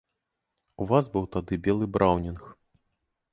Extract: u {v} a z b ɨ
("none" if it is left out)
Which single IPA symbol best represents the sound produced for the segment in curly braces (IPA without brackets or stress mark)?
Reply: v